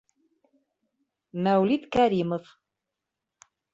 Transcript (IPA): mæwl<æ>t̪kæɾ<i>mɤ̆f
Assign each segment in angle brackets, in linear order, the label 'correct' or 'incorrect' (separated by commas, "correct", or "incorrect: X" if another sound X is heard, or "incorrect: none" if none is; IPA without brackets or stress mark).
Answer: incorrect: i, correct